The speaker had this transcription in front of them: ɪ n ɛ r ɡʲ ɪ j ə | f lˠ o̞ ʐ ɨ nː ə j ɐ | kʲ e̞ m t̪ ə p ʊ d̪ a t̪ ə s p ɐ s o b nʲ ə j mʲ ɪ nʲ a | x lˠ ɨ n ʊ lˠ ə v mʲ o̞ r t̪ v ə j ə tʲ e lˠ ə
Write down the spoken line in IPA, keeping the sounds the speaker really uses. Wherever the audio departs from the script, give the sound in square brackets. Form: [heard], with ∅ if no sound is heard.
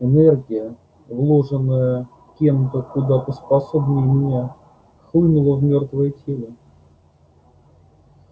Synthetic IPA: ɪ n ɛ r ɡʲ ɪ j ə | [v] lˠ o̞ ʐ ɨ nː ə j [ə] | kʲ e̞ m t̪ ə [k] ʊ d̪ a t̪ ə s p ɐ s o b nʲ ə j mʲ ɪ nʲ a | x lˠ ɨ n ʊ lˠ ə v mʲ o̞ r t̪ v ə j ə tʲ e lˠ ə